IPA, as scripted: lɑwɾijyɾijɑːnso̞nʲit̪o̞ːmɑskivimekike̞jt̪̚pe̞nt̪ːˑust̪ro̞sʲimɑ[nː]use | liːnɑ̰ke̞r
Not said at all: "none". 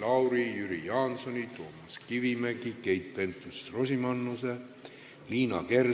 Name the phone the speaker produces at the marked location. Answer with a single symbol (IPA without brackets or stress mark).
nː